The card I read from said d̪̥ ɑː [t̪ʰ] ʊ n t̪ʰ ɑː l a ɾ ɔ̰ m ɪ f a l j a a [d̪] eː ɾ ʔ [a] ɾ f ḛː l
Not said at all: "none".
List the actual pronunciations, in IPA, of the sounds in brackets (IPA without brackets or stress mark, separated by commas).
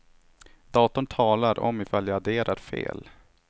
t̪, d̪, a